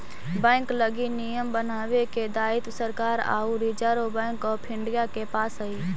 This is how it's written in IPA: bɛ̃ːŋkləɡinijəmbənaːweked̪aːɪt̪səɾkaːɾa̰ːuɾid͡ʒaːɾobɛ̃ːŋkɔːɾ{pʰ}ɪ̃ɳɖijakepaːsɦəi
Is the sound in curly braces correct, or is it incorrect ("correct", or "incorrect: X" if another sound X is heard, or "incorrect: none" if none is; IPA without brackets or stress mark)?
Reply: correct